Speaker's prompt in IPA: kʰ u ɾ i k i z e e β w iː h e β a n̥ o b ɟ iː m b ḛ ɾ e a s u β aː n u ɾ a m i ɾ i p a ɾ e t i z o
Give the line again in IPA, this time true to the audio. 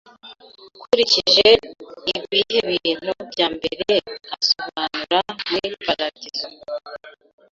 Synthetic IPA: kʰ u ɾ i c i ʒ e i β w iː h e β i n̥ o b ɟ aː m b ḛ ɾ e a s o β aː n u ɾ a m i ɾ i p a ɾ a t i z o

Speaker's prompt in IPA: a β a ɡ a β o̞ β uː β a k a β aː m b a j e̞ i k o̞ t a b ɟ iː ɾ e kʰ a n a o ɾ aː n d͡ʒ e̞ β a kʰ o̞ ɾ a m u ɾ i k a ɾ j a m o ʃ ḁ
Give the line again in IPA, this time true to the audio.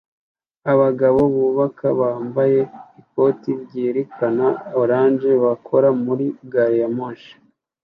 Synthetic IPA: a β a ɡ a β o̞ β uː β a k a β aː m b a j e̞ i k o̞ t i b ɟ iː ɾ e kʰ a n a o ɾ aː n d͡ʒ e̞ β a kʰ o̞ ɾ a m u ɾ i ɡ a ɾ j a m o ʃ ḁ

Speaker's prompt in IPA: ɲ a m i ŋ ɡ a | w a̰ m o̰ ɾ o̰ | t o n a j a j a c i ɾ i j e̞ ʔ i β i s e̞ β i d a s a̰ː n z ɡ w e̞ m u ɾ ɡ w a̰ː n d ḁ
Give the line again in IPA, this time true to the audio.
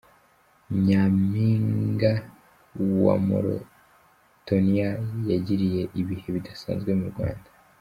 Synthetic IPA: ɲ a m i ŋ ɡ a | w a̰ m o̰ ɾ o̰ | t o n i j a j a ɟ i ɾ i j e̞ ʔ i β i h e̞ β i d a s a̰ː n z ɡ w e̞ m u ɾ ɡ w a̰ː n d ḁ

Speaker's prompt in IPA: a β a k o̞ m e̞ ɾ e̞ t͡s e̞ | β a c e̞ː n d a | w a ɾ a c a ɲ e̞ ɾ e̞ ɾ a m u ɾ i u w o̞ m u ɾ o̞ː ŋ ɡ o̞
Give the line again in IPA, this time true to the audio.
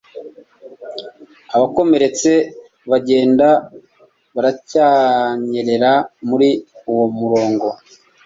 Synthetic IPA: a β a k o̞ m e̞ ɾ e̞ t͡s e̞ | β a ɟ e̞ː n d a | β a ɾ a c a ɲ e̞ ɾ e̞ ɾ a m u ɾ i u w o̞ m u ɾ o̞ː ŋ ɡ o̞

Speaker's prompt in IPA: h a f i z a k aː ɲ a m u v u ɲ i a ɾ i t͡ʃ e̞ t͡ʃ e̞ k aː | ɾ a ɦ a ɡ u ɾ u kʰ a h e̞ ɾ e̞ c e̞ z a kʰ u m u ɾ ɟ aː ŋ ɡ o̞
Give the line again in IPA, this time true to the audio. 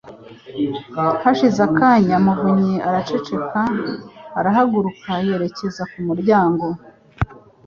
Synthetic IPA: h a ʃ i z a k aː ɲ a m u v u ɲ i a ɾ a t͡ʃ e̞ t͡ʃ e̞ k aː | ɾ a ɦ a ɡ u ɾ u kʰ a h e̞ ɾ e̞ c e̞ z a k u m u ɾ ɟ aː ŋ ɡ o̞

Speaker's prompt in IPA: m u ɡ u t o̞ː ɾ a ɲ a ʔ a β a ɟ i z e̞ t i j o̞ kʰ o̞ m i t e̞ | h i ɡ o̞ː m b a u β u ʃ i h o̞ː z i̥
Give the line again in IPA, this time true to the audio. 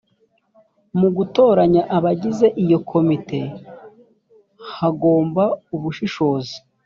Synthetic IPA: m u ɡ u t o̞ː ɾ a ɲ a ʔ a β a ɟ i z e̞ ʔ i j o̞ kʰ o̞ m i t e̞ | h a ɡ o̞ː m b a u β u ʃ i ʃ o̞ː z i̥

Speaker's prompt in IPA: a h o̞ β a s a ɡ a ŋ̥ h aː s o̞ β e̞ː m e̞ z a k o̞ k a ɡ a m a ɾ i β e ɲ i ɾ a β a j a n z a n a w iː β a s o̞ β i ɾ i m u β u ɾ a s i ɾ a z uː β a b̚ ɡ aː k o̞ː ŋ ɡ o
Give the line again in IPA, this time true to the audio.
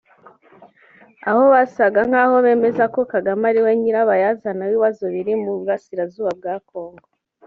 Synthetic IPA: a h o̞ β a s a ɡ a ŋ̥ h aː h o̞ β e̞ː m e̞ z a k o̞ k a ɡ a m a ɾ i w e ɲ i ɾ a β a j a z a n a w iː β a z o̞ β i ɾ i m u β u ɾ a s i ɾ a z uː β a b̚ ɡ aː k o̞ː ŋ ɡ o

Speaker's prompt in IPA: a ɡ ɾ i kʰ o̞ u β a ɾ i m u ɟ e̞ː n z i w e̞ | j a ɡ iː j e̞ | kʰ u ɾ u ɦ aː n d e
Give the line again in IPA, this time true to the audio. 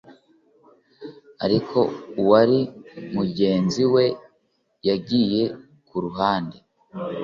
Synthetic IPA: a ɾ i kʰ o̞ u w a ɾ i m u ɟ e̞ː n z i w e̞ | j a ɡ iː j e̞ | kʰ u ɾ u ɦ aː n d e

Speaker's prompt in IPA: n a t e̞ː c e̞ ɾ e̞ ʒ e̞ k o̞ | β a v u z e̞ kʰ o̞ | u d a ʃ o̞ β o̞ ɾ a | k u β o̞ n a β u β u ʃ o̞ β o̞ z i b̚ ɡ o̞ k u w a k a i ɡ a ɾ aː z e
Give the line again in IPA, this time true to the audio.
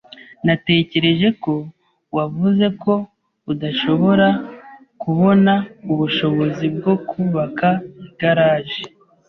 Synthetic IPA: n a t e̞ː c e̞ ɾ e̞ ʒ e̞ k o̞ | w a v u z e̞ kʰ o̞ | u d a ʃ o̞ β o̞ ɾ a | k u β o̞ n a u β u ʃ o̞ β o̞ z i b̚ ɡ o̞ k u β a k a i ɡ a ɾ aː ʒ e

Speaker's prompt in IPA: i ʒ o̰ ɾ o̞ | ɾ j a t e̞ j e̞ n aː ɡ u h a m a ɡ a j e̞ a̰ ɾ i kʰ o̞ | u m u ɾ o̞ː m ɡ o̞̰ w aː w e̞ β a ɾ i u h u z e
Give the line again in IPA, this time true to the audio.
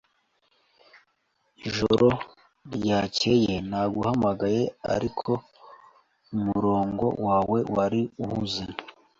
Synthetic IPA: i ʒ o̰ ɾ o̞ | ɾ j a c e̞ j e̞ n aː ɡ u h a m a ɡ a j e̞ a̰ ɾ i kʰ o̞ | u m u ɾ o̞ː ŋ ɡ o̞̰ w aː w e̞ w a ɾ i u h u z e

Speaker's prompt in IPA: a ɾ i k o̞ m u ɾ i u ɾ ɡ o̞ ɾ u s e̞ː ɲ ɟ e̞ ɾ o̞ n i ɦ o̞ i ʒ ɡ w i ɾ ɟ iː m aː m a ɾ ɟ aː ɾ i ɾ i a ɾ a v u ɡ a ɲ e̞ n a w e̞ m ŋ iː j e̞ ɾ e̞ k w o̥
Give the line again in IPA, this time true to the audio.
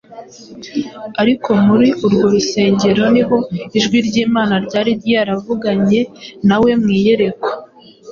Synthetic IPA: a ɾ i k o̞ m u ɾ i u ɾ ɡ o̞ ɾ u s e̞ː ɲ ɟ e̞ ɾ o̞ n i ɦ o̞ i ʒ ɡ w i ɾ ɟ iː m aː n a ɾ ɟ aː ɾ i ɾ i a ɾ a v u ɡ a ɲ e̞ n a w e̞ m ŋ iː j e̞ ɾ e̞ k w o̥

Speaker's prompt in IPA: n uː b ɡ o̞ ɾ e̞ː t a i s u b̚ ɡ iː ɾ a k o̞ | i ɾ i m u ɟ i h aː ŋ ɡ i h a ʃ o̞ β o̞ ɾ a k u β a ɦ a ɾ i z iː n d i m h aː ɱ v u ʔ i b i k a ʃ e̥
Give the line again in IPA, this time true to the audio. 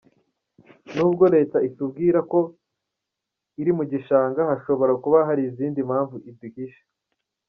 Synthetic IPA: n uː b ɡ o̞ ɾ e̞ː t a i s u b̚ ɡ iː ɾ a k o̞ | i ɾ i m u ɟ i ʃ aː ŋ ɡ a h a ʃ o̞ β o̞ ɾ a k u β a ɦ a ɾ i z iː n d i m h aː ɱ v u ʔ i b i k i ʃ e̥

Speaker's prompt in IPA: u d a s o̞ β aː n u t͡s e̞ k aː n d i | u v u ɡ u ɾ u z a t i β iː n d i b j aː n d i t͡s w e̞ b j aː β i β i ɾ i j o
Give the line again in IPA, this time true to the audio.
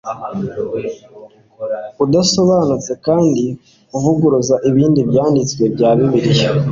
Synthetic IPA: u d a s o̞ β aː n u t͡s e̞ k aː n d i | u v u ɡ u ɾ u z a ʔ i β iː n d i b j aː n d i t͡s w e̞ b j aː β i β i ɾ i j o

